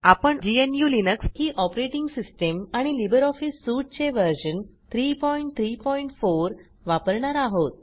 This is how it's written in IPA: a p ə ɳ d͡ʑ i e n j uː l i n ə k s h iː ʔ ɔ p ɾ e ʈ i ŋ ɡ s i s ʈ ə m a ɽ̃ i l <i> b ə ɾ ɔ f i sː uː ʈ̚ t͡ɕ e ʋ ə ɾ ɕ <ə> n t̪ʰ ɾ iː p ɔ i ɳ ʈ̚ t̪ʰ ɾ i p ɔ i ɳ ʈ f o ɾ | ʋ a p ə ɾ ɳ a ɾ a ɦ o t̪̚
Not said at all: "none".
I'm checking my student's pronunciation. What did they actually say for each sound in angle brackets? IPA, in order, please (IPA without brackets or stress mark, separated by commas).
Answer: i, ə